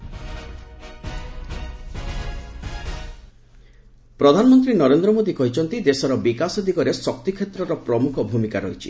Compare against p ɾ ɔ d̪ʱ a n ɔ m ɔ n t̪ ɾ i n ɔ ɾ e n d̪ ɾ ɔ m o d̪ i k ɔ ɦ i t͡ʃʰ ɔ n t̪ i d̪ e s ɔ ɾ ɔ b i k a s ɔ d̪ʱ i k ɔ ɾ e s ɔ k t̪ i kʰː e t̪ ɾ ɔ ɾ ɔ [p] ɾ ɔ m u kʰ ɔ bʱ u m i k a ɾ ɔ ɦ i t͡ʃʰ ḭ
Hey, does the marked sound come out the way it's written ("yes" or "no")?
yes